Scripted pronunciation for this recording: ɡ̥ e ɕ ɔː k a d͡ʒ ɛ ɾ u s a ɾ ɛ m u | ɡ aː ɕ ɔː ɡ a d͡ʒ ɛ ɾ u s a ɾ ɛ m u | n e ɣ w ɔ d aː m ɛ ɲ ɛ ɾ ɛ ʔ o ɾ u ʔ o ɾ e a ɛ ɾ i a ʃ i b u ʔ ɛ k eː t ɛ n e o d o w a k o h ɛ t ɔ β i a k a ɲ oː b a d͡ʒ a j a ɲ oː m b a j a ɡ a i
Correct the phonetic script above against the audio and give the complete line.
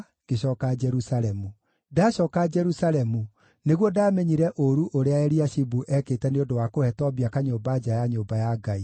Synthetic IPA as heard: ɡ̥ e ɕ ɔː k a d͡ʒ ɛ ɾ u s a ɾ ɛ m u | d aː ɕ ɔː k a d͡ʒ ɛ ɾ u s a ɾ ɛ m u | n e ɣ w ɔ d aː m ɛ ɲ i ɾ ɛ ʔ o ɾ u ʔ o ɾ e a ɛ ɾ i a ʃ i b u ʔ ɛ k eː t ɛ n e o d o w a k o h ɛ t ɔ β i a k a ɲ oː b a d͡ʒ a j a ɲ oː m b a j a ɡ a i

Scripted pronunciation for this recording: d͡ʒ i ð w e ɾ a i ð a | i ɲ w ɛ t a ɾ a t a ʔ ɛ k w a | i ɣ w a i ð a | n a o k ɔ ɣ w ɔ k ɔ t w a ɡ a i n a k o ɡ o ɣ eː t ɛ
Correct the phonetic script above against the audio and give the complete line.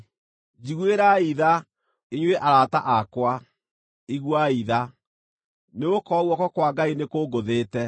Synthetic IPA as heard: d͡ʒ i ɣ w e ɾ a i ð a | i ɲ w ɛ ʔ a ɾ a t a ʔ a k w a | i ɣ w a i ð a | n e o k ɔ ɣ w ɔ k ɔ k w a ɡ a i n e k o ɡ o ð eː t ɛ

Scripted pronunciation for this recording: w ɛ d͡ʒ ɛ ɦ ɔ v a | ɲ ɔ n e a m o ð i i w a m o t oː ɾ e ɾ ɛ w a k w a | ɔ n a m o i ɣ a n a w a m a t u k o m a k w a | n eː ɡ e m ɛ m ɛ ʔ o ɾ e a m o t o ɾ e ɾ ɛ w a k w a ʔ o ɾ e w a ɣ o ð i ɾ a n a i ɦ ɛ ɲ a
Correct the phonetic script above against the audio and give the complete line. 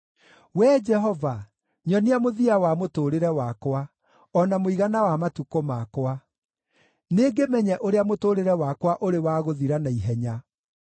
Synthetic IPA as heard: w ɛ d͡ʒ ɛ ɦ ɔ v a | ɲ ɔ n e a m o ð i a w a m o t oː ɾ e ɾ ɛ w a k w a | ɔ n a m o i ɣ a n a w a m a t u k o m a k w a | n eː ɡ e m ɛ ɲ ɛ ʔ o ɾ e a m o t o ɾ e ɾ ɛ w a k w a ʔ o ɾ e w a ɣ o ð i ɾ a n a i ɦ ɛ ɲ a

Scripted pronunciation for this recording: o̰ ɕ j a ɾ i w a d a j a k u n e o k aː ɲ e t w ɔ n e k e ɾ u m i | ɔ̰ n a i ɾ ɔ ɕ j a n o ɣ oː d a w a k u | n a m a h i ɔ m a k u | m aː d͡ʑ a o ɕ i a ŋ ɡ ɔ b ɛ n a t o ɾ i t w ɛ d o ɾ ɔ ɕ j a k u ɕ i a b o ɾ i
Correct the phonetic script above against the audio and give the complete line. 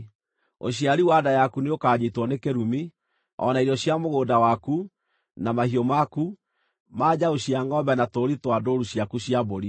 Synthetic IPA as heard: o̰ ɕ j a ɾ i w a d a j a k u n e o k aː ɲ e t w ɔ n e k e ɾ u m i | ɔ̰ n a i ɾ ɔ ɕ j a m o ɣ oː d a w a k u | n a m a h i ɔ m a k u | m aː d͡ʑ a o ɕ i a ŋ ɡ ɔ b ɛ n a t o ɾ i t w a d o ɾ u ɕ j a k u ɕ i a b o ɾ i

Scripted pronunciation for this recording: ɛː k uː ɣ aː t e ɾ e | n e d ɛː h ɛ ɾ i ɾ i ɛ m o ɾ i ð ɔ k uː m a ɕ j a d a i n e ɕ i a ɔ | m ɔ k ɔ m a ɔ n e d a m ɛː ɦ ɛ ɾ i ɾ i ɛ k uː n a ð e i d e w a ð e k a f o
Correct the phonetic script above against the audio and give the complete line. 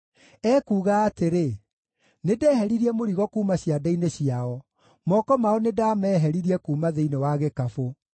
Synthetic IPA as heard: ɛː k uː ɣ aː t e ɾ e | n e d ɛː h ɛ ɾ i ɾ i ɛ m o ɾ i ɣ ɔ k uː m a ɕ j a d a i n e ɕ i a ɔ | m ɔ k ɔ m a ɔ n e d a m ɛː ɦ ɛ ɾ i ɾ i ɛ k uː m a ð e i n e w a ɣ e k a f o

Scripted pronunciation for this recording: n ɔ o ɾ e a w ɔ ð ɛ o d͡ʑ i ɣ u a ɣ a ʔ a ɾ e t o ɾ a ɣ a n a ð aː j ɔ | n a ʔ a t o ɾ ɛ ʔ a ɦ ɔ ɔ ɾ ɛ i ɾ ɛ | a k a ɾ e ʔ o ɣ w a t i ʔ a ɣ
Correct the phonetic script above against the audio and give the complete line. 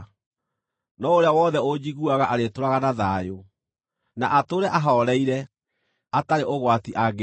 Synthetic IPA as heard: n ɔ o ɾ e a w ɔ ð ɛ o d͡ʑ i ɣ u a ɣ a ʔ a ɾ e t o ɾ a ɣ a n a ð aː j o | n a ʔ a t o ɾ ɛ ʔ a ɦ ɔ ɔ ɾ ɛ i ɾ ɛ | a t a ɾ e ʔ o ɣ w a t i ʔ a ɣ

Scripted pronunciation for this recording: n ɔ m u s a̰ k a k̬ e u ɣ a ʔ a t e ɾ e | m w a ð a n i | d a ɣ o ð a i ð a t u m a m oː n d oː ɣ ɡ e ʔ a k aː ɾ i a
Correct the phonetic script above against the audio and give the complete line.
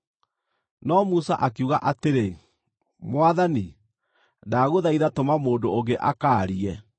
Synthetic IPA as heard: n ɔ m u s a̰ ʔ a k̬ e u ɣ a ʔ a t e ɾ e | m w a ð a n i | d a ɣ o ð a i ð a t o m a m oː n d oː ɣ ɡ e ʔ a k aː ɾ i ɛ

